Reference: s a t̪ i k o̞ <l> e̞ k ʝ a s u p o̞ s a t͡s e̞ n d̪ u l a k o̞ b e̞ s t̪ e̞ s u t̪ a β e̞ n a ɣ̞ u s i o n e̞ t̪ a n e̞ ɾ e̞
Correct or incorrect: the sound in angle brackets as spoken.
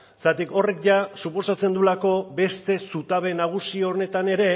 incorrect: r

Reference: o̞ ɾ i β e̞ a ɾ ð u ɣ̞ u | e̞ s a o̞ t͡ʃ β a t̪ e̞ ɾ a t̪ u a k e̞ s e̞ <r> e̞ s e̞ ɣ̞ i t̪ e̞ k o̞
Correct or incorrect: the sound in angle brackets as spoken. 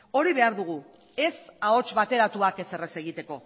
correct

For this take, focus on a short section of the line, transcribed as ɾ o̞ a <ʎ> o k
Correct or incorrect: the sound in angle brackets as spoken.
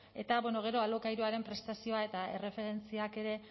incorrect: l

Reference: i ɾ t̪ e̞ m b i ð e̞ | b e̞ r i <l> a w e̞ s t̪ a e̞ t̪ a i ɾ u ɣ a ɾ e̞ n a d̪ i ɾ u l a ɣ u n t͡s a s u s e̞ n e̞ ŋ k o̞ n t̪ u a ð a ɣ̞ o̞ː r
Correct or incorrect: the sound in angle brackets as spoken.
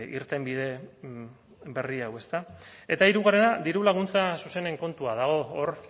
incorrect: none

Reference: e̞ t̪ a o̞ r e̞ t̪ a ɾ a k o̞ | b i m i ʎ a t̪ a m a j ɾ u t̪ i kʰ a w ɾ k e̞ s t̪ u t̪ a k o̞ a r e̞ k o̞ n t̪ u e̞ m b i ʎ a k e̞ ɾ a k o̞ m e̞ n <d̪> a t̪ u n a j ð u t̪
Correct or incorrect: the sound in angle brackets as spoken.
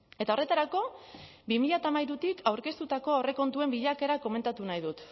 incorrect: t̪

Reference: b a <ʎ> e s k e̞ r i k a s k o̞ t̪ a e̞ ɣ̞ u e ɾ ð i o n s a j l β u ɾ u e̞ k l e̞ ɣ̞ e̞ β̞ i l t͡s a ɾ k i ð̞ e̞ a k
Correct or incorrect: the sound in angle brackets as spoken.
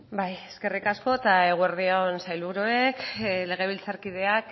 incorrect: j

